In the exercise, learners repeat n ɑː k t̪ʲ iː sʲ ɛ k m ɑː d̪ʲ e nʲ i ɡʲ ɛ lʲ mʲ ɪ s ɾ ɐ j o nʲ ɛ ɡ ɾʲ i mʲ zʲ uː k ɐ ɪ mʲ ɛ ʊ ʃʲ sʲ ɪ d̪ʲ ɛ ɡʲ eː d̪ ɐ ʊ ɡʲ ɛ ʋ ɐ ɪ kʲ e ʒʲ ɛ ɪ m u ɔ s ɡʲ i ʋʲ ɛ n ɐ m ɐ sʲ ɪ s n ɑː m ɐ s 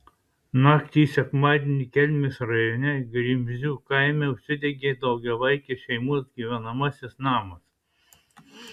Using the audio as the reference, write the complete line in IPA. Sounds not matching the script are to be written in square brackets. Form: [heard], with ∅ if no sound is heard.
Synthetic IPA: n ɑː k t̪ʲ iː sʲ ɛ k m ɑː d̪ʲ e nʲ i [kʲ] ɛ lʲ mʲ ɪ s ɾ ɐ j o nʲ ɛ ɡ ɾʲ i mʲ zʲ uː k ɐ ɪ mʲ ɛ ʊ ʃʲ sʲ ɪ d̪ʲ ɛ ɡʲ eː d̪ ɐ ʊ ɡʲ ɛ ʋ ɐ ɪ kʲ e [ʃʲ] ɛ ɪ m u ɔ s ɡʲ i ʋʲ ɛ n ɐ m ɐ sʲ ɪ s n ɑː m ɐ s